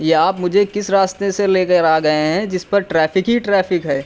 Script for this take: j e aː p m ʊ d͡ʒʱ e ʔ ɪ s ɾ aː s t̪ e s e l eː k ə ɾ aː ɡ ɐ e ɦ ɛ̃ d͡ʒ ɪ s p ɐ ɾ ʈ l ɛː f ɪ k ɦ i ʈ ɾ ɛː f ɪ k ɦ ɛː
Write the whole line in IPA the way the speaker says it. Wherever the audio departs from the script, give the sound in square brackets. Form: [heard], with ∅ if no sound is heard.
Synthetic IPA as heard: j e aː p m ʊ d͡ʒʱ e [k] ɪ s ɾ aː s t̪ e s e l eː k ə ɾ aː ɡ ɐ e ɦ ɛ̃ d͡ʒ ɪ s p ɐ ɾ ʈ [ɾ] ɛː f ɪ k ɦ i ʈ ɾ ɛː f ɪ k ɦ ɛː